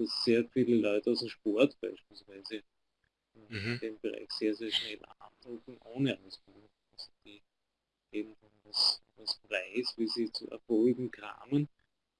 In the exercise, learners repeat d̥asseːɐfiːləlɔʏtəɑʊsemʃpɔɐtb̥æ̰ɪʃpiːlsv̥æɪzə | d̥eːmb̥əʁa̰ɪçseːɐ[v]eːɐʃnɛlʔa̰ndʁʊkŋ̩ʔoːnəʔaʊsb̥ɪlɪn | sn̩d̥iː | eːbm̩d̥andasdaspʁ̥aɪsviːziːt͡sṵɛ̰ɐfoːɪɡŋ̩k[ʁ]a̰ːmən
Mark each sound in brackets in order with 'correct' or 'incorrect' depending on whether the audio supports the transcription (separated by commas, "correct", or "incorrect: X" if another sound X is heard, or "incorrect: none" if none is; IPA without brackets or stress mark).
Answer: incorrect: z, correct